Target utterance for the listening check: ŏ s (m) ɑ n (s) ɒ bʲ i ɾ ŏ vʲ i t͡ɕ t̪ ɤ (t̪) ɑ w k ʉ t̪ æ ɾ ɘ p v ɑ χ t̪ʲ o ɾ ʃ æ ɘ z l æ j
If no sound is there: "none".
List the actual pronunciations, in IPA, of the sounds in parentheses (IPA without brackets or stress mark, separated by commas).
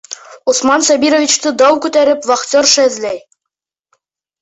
m, s, d̪